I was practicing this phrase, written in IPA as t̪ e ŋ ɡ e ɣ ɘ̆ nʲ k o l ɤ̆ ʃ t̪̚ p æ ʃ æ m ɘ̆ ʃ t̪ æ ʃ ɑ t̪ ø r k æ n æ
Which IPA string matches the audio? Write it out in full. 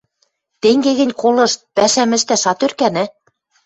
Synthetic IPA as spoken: t̪ e ŋ ɡ e ɣ ɘ̆ nʲ k o l ɤ̆ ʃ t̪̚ p æ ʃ æ m ɘ̆ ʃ t̪ æ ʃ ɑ t̪ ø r k æ n æ